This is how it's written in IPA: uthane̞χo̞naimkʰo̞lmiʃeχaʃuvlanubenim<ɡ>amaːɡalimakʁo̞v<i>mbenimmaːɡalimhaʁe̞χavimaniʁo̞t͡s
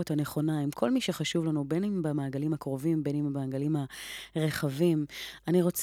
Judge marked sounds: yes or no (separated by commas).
no, yes